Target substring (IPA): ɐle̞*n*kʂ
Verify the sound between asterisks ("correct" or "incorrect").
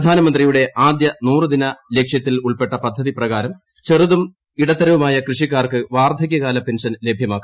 incorrect